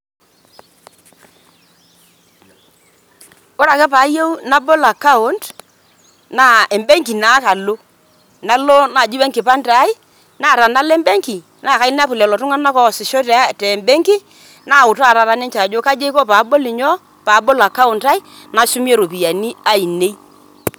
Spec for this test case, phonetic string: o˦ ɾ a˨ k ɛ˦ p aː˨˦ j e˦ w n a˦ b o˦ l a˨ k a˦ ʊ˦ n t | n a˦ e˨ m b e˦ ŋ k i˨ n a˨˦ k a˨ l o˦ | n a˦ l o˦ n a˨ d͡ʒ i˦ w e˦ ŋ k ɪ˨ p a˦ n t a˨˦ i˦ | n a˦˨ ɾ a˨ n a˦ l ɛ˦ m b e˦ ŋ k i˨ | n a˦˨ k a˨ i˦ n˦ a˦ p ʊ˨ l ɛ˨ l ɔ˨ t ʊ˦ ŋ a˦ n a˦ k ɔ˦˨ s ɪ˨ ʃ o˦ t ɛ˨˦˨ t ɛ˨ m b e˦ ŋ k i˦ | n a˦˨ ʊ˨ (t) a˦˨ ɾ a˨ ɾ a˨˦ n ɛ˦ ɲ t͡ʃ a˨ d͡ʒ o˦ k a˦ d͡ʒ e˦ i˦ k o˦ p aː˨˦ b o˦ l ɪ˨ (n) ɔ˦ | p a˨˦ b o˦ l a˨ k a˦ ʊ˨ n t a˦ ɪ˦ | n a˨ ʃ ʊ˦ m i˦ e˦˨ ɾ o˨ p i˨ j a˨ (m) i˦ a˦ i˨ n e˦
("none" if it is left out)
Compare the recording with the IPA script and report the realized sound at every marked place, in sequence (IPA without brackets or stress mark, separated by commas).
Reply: t, ɲ, n